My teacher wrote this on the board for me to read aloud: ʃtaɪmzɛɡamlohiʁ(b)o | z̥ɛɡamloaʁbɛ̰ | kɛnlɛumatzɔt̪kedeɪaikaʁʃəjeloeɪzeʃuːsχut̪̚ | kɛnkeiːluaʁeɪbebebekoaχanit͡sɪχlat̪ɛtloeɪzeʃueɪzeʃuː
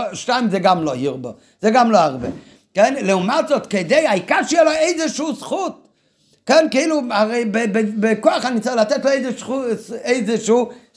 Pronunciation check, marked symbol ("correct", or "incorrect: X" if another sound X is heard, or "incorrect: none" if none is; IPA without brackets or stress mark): correct